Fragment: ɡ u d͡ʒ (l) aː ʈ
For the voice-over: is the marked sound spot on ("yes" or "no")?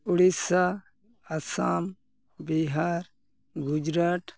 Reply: no